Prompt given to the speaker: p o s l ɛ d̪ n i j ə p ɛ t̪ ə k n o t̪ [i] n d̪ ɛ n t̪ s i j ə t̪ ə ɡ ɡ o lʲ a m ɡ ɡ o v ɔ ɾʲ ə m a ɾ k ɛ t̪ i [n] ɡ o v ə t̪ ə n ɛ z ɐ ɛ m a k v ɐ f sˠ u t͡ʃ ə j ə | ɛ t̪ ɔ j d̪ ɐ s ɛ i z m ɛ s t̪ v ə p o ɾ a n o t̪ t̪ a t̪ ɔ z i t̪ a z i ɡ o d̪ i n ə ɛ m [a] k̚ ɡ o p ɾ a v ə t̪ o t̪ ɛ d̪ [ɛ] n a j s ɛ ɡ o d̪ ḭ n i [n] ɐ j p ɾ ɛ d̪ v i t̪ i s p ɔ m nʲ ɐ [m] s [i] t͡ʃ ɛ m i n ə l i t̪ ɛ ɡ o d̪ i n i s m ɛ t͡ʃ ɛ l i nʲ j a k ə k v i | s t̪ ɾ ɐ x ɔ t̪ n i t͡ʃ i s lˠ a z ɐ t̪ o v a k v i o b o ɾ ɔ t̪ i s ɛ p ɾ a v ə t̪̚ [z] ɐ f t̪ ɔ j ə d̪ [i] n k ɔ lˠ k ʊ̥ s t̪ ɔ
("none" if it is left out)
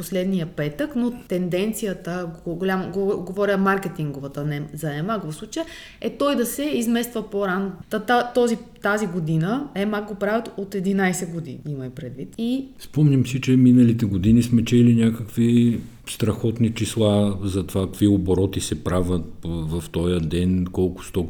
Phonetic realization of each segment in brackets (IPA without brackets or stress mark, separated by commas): ɛ, ŋ, a, i, m, m, i, v, ɛ